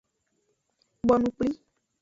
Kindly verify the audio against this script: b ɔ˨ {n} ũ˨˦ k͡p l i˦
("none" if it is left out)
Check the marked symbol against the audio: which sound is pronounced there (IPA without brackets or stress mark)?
n